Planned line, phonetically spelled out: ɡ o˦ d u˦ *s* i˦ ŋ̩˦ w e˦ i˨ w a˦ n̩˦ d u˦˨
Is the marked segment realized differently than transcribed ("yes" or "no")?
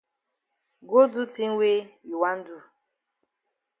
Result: yes